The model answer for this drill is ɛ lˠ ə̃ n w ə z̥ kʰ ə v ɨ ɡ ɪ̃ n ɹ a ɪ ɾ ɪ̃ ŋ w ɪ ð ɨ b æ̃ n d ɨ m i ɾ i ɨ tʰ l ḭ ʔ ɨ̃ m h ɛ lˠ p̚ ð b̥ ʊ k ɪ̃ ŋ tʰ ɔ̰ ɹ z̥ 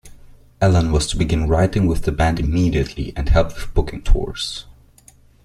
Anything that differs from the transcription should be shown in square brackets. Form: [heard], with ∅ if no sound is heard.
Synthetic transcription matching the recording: ɛ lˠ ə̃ n w [ʌ] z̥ [tʰ] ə [b] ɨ ɡ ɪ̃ n ɹ a ɪ ɾ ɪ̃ ŋ w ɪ ð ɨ b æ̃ n d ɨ m i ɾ i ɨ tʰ l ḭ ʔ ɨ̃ [n] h ɛ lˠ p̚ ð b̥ ʊ k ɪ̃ ŋ tʰ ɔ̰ ɹ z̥